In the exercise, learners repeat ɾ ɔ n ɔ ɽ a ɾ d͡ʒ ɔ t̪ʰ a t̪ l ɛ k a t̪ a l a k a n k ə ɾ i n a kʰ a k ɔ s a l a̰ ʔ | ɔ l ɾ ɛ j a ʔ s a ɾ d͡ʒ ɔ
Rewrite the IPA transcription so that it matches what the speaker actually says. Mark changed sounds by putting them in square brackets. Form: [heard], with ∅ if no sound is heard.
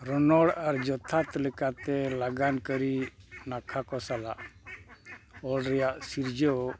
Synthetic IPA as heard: ɾ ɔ n ɔ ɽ a ɾ d͡ʒ ɔ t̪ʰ a t̪ l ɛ k a t̪ [ɛ] l a [ɡ] a n k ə ɾ i n a kʰ a k ɔ s a l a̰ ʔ | ɔ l ɾ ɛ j a ʔ s [i] ɾ d͡ʒ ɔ